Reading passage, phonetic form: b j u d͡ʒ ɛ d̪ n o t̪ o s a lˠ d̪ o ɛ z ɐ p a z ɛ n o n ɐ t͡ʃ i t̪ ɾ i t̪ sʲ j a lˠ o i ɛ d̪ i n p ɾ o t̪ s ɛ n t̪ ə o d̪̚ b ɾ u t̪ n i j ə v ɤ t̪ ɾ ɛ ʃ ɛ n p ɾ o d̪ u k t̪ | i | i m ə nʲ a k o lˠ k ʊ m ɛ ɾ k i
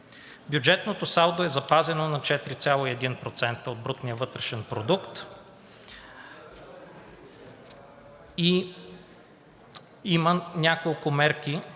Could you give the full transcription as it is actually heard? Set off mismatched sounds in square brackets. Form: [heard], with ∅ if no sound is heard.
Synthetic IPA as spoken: b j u d͡ʒ ɛ [t̪] n o t̪ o s a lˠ d̪ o ɛ z ɐ p a z ɛ n o n ɐ t͡ʃ [ɛ] t̪ ɾ i t̪ sʲ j a lˠ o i ɛ d̪ i n p ɾ o t̪ s ɛ n t̪ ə o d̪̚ b ɾ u t̪ n i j ə v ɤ t̪ ɾ ɛ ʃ ɛ n p ɾ o d̪ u k t̪ | i | i m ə nʲ a k o lˠ k ʊ m ɛ ɾ k i

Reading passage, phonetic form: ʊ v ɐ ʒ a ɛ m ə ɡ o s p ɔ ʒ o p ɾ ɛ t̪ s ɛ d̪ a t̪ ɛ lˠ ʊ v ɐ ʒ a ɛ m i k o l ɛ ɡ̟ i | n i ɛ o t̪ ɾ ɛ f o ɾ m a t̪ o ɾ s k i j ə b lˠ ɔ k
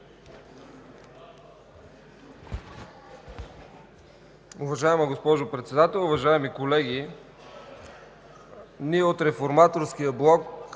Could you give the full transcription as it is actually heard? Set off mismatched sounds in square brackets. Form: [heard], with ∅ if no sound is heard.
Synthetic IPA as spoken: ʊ v ɐ ʒ a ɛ m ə ɡ o s p ɔ ʒ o p ɾ ɛ t̪ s ɛ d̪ a t̪ ɛ lˠ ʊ v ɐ ʒ a ɛ m i k o l ɛ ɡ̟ i | n i ɛ o t̪ ɾ ɛ f o ɾ m a t̪ o ɾ s k i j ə b lˠ ɔ k

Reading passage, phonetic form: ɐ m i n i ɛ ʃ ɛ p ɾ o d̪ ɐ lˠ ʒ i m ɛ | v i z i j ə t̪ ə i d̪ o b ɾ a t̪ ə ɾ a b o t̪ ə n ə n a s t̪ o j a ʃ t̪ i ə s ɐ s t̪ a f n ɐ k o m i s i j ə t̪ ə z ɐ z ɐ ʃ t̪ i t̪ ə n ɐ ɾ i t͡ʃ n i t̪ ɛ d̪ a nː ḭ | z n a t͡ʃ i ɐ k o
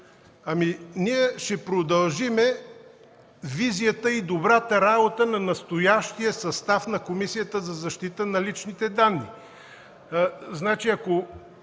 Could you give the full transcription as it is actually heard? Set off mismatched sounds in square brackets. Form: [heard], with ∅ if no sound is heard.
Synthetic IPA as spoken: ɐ m i n i ɛ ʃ ɛ p ɾ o d̪ ɐ lˠ ʒ i m ɛ | v i z i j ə t̪ ə i d̪ o b ɾ a t̪ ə ɾ a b o t̪ ə n [ɐ] n [ɐ] s t̪ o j a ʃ t̪ i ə s ɐ s t̪ a f n ɐ k o m i s i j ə t̪ ə z ɐ z ɐ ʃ t̪ i t̪ ə n ɐ [l] i t͡ʃ n i t̪ ɛ d̪ a nː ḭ | z n a t͡ʃ i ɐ k o

